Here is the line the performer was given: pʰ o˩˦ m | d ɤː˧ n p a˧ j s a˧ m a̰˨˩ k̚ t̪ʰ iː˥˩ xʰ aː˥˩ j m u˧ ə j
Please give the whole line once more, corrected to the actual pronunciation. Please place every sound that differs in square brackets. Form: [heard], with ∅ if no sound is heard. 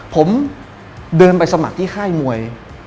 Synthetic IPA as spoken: pʰ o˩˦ m | d ɤː˧ n p a˧ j s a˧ m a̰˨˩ k̚ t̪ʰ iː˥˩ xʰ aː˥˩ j m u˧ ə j